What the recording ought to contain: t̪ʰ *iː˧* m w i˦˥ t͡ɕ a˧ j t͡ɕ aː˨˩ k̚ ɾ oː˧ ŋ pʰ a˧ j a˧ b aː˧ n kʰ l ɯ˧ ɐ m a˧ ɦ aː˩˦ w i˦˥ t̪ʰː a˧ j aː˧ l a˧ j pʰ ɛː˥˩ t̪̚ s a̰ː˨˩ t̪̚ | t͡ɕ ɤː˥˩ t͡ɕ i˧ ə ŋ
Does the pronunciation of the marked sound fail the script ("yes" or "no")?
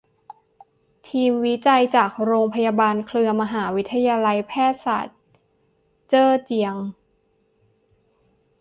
no